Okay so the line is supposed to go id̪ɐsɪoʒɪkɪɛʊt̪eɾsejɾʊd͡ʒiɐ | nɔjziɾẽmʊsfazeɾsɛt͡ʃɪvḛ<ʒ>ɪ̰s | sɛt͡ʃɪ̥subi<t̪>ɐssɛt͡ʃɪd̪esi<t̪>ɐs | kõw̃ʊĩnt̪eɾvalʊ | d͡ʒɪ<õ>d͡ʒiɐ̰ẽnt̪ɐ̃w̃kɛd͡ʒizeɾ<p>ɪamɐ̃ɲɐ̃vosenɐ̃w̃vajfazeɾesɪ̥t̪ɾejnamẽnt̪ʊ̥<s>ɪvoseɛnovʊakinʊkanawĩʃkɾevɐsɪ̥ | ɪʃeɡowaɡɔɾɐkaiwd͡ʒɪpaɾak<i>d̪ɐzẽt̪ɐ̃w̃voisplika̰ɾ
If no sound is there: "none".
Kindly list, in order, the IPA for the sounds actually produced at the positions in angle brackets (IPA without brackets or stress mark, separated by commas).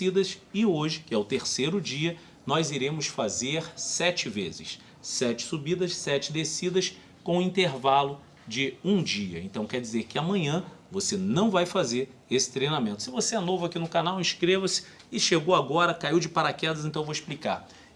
z, d̪, d̪, ũ, k, s, ɛ